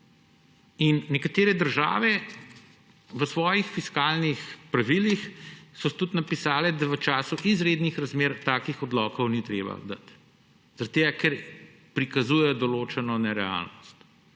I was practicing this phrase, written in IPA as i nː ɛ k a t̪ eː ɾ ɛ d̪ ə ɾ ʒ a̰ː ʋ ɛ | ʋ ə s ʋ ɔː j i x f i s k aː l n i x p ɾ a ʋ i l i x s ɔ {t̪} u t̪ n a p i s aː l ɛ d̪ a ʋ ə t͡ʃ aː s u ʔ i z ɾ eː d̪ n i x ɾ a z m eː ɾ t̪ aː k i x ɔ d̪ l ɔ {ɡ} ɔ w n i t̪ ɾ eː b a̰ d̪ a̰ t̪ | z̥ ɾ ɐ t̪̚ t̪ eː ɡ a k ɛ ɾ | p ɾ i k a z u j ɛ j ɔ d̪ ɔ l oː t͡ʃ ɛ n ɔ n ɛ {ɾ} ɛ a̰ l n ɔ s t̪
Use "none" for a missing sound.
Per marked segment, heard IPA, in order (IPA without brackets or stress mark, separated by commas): t̪, k, ɾ